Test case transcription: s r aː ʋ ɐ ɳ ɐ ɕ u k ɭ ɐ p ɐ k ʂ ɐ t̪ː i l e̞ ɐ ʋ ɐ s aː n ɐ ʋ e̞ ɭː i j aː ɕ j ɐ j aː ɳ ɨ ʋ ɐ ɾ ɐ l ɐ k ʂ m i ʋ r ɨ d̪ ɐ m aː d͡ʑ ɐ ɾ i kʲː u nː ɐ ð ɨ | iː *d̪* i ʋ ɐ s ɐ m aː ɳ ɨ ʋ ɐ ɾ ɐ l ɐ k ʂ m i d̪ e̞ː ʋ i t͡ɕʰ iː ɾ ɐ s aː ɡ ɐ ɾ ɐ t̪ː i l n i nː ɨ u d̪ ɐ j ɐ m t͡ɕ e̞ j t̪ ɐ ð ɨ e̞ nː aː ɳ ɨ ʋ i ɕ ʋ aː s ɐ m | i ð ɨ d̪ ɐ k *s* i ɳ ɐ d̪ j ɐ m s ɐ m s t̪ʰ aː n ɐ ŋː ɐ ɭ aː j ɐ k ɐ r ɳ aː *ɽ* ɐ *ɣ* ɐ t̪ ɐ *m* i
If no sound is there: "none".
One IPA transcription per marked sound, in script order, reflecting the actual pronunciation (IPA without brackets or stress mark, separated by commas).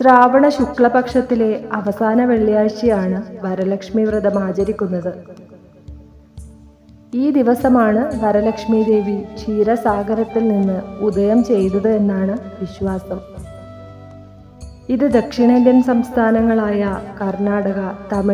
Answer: d̪, ʂ, ɽ, ɣ, m